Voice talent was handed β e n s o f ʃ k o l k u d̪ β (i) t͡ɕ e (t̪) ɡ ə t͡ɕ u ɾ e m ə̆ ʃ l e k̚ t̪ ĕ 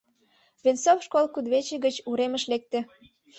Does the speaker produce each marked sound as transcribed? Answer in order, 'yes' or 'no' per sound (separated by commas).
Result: no, no